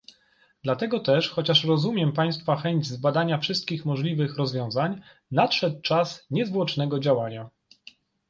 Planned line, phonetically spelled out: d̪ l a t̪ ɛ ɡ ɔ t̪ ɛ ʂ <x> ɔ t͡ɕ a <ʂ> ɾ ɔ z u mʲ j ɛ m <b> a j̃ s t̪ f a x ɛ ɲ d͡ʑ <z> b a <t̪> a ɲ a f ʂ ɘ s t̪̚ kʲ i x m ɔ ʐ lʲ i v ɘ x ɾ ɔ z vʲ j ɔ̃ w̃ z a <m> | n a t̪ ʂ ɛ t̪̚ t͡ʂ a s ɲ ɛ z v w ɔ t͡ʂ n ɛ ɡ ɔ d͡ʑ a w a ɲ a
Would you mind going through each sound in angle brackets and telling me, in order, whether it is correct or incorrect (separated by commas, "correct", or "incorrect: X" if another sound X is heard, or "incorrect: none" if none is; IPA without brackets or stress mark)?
correct, correct, incorrect: p, correct, incorrect: d̪, incorrect: ɲ